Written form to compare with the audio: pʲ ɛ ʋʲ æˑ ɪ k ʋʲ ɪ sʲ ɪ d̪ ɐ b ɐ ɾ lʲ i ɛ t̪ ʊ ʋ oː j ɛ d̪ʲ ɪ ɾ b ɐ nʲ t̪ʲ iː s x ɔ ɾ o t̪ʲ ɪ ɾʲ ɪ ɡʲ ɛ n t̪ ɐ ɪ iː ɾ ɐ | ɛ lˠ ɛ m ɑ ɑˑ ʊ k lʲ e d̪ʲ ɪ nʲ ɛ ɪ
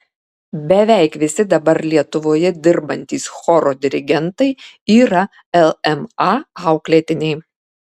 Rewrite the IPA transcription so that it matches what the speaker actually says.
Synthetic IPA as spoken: bʲ ɛ ʋʲ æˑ ɪ k ʋʲ ɪ sʲ ɪ d̪ ɐ b ɐ ɾ lʲ i ɛ t̪ ʊ ʋ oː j ɛ d̪ʲ ɪ ɾ b ɐ nʲ t̪ʲ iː s x ɔ ɾ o d̪ʲ ɪ ɾʲ ɪ ɡʲ ɛ n t̪ ɐ ɪ iː ɾ ɐ | ɛ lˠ ɛ m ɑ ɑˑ ʊ k lʲ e t̪ʲ ɪ nʲ ɛ ɪ